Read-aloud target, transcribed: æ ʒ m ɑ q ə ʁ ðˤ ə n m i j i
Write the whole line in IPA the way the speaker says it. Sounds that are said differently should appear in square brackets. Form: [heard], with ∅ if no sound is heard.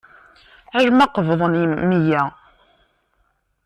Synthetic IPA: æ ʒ m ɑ q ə [v] ðˤ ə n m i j [æ]